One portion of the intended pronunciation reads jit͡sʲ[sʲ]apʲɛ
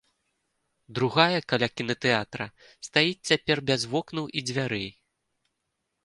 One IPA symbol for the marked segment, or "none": t͡sʲ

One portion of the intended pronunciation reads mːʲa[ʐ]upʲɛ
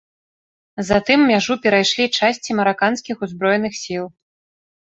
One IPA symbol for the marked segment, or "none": ʐ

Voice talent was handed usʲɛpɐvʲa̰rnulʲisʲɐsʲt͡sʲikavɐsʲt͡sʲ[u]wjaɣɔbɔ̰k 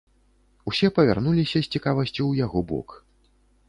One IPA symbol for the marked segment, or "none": u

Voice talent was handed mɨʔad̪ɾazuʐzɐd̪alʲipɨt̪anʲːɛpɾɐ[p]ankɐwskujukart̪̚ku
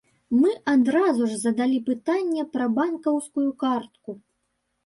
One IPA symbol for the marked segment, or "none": b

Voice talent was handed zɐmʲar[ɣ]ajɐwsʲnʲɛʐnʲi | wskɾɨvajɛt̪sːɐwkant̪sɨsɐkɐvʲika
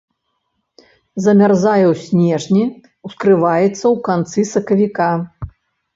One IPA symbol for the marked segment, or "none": z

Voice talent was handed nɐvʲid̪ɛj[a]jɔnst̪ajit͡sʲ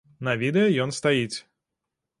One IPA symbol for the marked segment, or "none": ɐ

